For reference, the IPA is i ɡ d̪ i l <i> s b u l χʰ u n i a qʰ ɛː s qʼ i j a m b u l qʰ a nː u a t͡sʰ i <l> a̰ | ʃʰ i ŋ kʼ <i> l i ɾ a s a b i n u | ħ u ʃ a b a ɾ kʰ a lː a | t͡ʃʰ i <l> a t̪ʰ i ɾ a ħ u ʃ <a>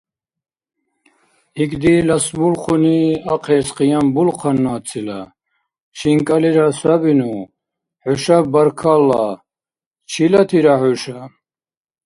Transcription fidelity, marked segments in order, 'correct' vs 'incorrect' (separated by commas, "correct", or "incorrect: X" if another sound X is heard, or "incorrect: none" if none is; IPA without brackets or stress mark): incorrect: a, correct, incorrect: a, correct, correct